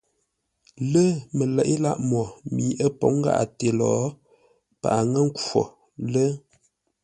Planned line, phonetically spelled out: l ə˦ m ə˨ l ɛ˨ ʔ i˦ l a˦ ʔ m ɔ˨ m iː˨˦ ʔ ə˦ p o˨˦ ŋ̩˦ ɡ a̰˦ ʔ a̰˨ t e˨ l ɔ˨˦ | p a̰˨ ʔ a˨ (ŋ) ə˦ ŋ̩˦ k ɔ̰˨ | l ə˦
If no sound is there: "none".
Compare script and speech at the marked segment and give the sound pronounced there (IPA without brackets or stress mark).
ŋ